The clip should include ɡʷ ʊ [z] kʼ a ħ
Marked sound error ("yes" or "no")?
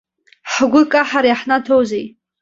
yes